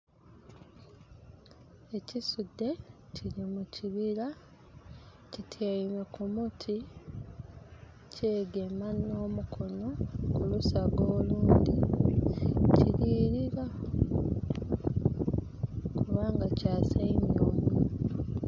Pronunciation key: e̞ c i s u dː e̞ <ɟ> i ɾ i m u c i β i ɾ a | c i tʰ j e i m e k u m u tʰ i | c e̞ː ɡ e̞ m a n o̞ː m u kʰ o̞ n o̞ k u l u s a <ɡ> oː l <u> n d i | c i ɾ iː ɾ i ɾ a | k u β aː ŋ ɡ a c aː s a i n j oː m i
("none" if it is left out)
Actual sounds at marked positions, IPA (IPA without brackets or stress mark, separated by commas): c, ɡ, uː